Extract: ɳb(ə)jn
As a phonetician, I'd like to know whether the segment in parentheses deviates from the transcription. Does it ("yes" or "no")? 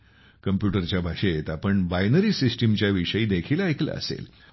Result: yes